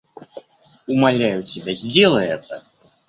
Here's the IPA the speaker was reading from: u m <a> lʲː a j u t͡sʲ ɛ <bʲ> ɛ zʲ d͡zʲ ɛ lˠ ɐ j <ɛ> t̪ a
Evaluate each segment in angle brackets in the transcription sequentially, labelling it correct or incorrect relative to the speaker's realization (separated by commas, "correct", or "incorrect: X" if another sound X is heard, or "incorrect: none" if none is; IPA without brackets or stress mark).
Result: correct, correct, correct